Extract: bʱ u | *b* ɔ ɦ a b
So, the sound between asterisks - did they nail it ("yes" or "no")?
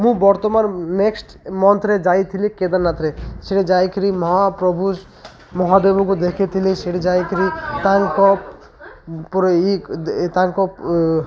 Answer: no